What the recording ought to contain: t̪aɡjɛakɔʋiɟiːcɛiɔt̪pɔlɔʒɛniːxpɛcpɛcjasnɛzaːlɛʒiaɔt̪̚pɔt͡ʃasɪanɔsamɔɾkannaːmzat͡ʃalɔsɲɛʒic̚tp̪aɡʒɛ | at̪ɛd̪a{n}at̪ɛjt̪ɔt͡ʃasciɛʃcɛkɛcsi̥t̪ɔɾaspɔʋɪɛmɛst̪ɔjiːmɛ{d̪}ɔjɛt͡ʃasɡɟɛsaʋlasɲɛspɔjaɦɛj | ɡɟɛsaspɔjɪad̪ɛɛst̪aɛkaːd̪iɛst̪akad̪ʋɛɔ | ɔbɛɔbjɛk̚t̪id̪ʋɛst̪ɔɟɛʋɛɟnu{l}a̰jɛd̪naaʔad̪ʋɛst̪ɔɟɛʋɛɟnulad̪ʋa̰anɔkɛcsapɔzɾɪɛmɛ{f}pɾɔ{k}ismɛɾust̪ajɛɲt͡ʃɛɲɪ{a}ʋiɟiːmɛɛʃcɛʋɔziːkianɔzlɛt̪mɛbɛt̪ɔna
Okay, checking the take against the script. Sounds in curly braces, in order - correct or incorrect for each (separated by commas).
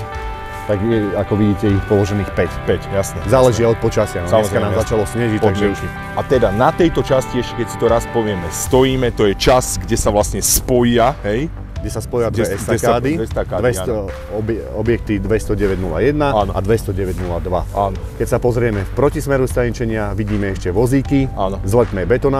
correct, incorrect, correct, correct, incorrect, correct